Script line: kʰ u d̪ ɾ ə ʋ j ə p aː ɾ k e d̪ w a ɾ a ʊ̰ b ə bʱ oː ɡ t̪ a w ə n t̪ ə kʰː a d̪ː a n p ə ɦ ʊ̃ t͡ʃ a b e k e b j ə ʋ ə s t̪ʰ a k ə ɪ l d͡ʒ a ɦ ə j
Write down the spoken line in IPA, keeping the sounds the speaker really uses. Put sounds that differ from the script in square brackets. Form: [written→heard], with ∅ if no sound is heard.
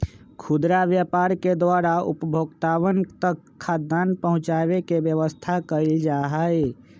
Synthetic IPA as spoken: kʰ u d̪ ɾ [ə→a] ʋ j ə p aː ɾ k e d̪ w a ɾ a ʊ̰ [b→p] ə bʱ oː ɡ t̪ a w ə n t̪ ə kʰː a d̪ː a n p ə ɦ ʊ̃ t͡ʃ a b e k e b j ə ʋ ə s t̪ʰ a k ə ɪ l d͡ʒ a ɦ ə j